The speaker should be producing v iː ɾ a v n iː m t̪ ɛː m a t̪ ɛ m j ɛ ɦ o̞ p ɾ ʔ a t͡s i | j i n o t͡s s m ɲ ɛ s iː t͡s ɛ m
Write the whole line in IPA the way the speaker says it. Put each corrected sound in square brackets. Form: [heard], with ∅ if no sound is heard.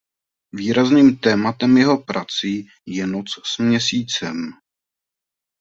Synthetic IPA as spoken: v iː ɾ a [z] n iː m t̪ ɛː m a t̪ ɛ m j ɛ ɦ o̞ p ɾ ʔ a t͡s i | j [ɛ] n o t͡s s m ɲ ɛ s iː t͡s ɛ m